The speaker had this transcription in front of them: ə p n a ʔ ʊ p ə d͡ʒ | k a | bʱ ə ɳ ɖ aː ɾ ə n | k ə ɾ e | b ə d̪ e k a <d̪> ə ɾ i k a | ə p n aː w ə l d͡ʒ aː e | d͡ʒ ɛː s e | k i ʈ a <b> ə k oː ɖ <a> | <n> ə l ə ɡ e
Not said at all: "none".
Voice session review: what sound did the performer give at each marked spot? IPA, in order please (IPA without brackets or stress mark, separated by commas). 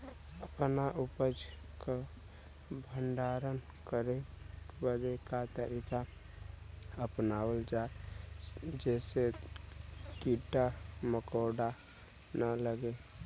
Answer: t̪, m, a, n